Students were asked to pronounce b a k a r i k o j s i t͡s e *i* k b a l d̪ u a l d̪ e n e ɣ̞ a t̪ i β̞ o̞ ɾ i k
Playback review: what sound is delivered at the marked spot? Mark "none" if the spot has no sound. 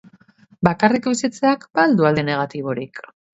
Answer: a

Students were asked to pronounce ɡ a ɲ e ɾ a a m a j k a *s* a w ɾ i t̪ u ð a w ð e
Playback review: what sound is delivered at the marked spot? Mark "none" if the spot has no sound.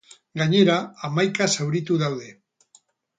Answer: s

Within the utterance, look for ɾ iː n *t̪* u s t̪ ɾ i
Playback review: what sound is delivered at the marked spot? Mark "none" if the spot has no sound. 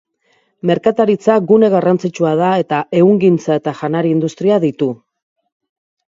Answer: d̪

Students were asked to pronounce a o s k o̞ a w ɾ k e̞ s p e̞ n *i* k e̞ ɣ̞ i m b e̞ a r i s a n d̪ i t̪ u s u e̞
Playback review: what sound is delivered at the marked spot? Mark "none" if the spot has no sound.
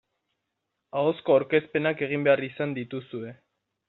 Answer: a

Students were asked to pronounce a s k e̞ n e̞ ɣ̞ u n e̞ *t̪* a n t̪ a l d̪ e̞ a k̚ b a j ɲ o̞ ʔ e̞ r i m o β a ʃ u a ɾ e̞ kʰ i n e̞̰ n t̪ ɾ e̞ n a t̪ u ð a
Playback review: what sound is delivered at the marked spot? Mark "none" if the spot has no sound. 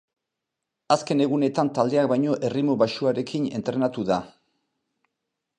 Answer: t̪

